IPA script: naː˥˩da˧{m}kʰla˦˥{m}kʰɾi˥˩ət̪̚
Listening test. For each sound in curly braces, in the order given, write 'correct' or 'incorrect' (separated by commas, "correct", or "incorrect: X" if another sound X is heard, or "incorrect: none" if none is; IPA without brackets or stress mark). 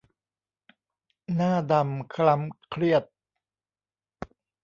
correct, correct